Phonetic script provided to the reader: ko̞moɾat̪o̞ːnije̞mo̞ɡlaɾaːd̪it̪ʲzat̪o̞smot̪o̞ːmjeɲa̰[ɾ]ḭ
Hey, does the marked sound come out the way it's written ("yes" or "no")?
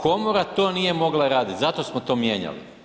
no